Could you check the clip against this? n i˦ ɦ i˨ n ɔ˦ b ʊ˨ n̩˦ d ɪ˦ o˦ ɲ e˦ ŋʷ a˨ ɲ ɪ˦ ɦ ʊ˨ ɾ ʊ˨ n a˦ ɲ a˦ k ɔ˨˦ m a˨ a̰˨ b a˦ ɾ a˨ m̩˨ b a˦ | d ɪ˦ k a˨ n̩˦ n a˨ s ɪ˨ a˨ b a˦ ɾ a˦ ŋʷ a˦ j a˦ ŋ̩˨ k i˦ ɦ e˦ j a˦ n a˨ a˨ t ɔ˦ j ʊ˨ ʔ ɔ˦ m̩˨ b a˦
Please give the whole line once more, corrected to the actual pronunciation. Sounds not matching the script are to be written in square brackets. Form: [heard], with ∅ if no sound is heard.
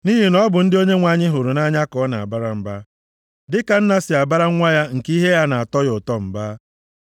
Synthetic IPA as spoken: n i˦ ɦ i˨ n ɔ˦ b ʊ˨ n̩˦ d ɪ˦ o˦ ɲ e˦ ŋʷ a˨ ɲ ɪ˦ ɦ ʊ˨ ɾ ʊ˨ n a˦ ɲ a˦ k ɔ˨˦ [n] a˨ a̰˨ b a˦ ɾ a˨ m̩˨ b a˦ | d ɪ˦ k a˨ n̩˦ n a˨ s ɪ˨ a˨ b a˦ ɾ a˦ ŋʷ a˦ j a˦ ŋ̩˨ k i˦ ɦ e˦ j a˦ n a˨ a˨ t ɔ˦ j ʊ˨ [t] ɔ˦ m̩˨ b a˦